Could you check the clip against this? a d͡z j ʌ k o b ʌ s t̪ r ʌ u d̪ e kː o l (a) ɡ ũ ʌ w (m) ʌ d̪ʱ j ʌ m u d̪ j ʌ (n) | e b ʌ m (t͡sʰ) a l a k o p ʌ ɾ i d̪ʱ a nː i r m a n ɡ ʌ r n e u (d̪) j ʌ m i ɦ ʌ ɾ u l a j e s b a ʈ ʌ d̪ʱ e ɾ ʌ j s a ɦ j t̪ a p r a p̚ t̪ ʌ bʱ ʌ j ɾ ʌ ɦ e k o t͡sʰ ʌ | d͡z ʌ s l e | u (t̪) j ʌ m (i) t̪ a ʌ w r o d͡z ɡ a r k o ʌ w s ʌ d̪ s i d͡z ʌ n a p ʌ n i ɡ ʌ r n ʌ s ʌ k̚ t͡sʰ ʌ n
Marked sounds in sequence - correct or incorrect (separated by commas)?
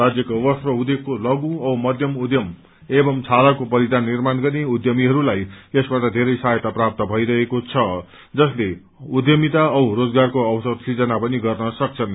incorrect, correct, incorrect, correct, correct, incorrect, correct